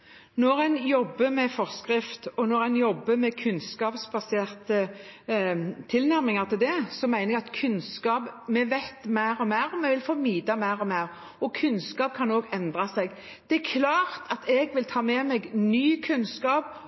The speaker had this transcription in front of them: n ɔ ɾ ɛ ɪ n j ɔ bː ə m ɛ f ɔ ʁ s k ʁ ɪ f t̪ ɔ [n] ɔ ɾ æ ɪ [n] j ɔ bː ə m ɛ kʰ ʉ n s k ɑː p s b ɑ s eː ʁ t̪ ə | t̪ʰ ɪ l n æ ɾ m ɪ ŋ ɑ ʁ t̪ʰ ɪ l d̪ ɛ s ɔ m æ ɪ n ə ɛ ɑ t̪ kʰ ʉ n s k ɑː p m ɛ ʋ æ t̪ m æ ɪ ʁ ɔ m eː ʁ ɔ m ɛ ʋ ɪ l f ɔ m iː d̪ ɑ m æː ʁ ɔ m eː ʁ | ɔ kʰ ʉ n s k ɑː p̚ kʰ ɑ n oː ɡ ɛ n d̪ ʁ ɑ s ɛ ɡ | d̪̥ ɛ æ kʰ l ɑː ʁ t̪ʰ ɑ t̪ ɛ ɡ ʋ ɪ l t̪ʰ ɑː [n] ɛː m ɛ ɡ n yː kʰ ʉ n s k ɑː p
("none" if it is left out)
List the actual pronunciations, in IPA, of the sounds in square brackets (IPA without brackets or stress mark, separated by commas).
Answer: n, n, m